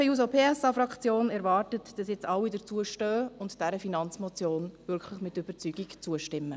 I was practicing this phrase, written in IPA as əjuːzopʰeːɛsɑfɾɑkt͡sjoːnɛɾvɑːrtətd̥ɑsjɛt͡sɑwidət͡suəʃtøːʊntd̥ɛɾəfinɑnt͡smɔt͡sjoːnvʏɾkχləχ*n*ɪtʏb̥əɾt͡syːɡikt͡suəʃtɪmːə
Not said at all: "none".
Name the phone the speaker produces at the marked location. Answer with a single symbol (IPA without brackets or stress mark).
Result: m